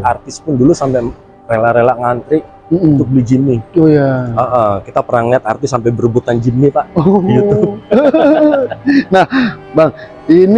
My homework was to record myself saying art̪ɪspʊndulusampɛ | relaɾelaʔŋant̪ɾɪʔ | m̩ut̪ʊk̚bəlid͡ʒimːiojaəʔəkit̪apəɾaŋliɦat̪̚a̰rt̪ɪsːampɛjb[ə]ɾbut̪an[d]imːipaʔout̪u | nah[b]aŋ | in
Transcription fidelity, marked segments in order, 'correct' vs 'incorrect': correct, incorrect, correct

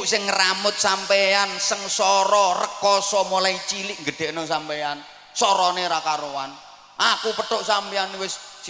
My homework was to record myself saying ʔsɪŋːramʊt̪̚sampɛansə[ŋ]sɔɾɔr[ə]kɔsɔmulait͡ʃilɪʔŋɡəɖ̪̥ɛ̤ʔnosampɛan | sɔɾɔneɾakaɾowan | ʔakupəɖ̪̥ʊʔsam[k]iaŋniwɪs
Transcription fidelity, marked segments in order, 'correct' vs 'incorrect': correct, correct, incorrect

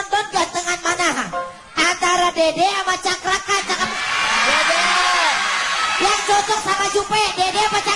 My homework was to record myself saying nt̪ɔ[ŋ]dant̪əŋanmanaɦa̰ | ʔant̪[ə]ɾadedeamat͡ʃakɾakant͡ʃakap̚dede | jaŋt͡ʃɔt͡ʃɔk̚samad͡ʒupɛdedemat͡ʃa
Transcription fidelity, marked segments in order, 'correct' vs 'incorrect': incorrect, incorrect

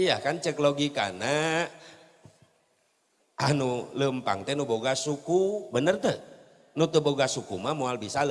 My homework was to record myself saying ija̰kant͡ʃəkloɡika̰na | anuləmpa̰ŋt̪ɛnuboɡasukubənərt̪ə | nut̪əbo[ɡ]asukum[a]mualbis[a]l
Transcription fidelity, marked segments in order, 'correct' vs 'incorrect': correct, correct, correct

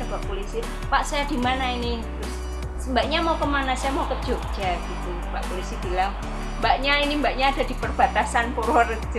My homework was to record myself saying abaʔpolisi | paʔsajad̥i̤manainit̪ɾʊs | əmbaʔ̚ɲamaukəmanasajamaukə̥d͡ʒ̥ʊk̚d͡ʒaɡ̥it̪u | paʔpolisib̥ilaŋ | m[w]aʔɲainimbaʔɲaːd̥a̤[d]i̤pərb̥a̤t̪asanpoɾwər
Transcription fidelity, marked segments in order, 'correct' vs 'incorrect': incorrect, correct

